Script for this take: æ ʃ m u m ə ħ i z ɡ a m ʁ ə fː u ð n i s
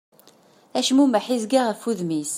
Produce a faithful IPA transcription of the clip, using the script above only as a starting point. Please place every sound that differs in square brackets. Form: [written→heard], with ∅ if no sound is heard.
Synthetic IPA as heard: æ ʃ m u m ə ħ i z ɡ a [m→∅] ʁ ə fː u ð [n→m] i s